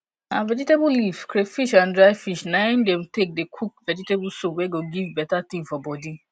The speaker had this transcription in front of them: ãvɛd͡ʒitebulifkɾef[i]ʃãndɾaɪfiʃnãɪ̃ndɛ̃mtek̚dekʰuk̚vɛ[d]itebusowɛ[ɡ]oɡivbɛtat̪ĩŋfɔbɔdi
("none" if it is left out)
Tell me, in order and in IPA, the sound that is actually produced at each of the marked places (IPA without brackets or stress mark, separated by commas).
i, d͡ʒ, ɡ